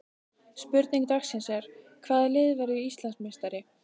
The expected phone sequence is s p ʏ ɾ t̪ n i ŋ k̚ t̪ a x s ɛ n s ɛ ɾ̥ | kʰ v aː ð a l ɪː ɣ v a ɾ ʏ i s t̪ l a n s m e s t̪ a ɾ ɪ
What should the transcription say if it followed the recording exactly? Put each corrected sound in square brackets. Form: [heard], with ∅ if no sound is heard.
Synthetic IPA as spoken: s p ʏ ɾ t̪ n i ŋ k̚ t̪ a x s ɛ n s ɛ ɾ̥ | kʰ v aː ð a l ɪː [ð] v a ɾ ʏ i s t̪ l a n s m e s t̪ a ɾ ɪ